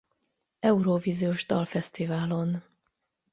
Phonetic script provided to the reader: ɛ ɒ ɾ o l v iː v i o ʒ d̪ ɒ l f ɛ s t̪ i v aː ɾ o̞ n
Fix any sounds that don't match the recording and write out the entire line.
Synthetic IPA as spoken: ɛ u ɾ o v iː z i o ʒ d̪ ɒ l f ɛ s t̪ i v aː l o̞ n